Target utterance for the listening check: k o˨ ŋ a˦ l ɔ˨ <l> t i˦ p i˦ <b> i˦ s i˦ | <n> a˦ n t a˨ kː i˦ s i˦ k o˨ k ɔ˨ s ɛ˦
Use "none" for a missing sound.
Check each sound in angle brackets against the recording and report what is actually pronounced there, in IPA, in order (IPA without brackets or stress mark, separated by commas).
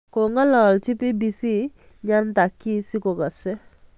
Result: l, b, ɲ